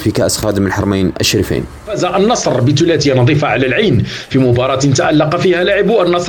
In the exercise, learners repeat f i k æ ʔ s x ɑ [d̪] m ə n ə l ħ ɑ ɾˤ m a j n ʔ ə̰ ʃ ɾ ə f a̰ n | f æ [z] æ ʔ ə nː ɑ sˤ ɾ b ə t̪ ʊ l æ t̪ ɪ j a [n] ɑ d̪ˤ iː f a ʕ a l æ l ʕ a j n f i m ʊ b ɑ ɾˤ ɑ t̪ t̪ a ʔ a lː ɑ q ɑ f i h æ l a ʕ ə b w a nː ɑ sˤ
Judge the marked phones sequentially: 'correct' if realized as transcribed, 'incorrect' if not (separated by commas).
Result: correct, correct, correct